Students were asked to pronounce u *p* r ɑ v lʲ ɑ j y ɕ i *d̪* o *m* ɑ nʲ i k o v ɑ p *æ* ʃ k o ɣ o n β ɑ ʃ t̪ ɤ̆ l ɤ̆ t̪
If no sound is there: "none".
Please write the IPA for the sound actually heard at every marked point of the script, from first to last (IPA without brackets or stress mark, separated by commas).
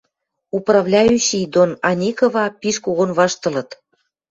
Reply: p, d̪, n, i